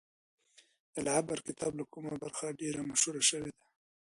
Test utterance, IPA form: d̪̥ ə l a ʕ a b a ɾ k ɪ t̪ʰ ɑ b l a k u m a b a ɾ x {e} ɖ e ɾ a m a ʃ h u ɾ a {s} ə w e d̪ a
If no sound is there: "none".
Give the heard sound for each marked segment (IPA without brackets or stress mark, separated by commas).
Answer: a, ʃ